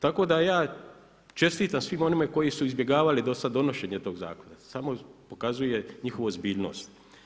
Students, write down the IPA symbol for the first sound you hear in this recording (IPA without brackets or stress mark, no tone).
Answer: t̪